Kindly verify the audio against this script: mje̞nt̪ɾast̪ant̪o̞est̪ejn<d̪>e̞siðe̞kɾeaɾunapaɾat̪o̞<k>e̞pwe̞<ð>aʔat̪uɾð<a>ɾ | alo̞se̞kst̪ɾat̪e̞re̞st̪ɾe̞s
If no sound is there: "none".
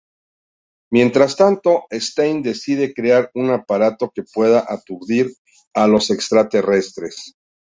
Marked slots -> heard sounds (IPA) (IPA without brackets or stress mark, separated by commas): d̪, k, ð, i